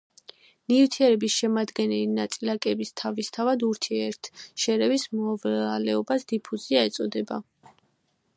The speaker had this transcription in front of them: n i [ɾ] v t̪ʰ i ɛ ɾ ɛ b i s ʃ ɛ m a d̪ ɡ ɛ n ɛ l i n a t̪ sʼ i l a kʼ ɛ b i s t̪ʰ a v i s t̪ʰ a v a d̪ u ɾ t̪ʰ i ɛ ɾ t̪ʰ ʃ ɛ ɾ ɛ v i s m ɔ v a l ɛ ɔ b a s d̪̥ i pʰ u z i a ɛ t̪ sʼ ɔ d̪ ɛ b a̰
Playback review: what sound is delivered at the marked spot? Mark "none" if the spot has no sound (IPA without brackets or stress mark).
none